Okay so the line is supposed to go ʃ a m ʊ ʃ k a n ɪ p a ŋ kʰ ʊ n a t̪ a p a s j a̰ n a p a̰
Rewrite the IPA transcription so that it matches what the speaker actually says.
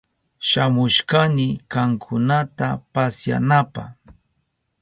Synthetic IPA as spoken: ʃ a m ʊ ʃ k a n ɪ k a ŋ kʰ ʊ n a t̪ a p a s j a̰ n a p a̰